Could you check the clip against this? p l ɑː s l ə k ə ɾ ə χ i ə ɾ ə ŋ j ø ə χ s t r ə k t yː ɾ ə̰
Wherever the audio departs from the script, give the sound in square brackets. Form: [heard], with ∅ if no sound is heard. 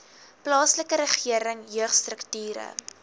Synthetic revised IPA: p l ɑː s l ə k ə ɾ ə χ i ə ɾ ə ŋ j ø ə χ s t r ə k t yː ɾ ə̰